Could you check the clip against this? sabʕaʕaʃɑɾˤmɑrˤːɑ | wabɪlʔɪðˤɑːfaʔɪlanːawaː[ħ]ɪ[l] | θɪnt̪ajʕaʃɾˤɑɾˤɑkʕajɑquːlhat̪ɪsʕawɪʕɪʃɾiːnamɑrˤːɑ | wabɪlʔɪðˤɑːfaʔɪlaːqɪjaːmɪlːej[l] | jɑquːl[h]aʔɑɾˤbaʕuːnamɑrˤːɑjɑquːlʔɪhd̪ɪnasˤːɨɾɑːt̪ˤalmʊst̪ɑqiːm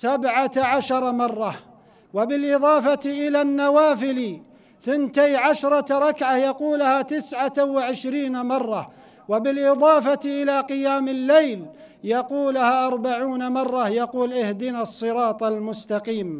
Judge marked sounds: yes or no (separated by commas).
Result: no, yes, yes, yes